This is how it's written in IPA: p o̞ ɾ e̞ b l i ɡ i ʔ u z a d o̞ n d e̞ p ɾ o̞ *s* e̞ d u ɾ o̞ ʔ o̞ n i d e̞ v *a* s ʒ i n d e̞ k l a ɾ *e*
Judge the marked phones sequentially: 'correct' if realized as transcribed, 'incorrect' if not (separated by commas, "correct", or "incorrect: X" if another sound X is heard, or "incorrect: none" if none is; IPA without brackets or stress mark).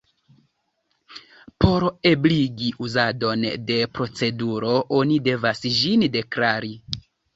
incorrect: t͡s, correct, incorrect: i